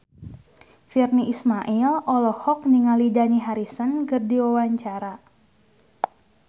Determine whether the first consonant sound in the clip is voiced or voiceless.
voiceless